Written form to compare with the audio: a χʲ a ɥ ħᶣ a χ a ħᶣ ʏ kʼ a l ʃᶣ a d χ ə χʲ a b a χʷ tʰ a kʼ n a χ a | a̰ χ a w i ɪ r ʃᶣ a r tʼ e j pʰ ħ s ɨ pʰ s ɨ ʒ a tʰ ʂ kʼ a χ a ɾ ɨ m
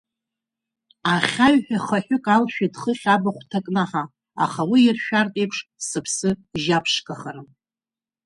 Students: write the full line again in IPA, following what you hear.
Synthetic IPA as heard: a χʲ a ɥ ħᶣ a χ a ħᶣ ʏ kʼ a l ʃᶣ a d χ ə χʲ a b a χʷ tʰ a kʼ n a ħ a | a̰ χ a w i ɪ r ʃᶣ a r tʼ e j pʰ ʂ s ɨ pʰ s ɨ ʒ a pʰ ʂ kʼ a χ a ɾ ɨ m